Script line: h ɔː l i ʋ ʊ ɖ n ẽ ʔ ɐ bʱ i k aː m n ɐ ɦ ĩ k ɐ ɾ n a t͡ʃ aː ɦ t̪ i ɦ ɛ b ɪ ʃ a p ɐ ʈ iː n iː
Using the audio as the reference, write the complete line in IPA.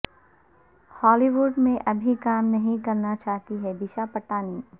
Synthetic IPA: h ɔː l i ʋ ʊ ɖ m ẽ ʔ ɐ bʱ i k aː m n ɐ ɦ ĩ k ɐ ɾ n a t͡ʃ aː ɦ t̪ i ɦ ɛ b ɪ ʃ a p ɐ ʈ aː n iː